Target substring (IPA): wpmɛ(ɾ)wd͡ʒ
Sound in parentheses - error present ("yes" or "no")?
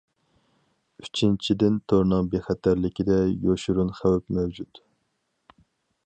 yes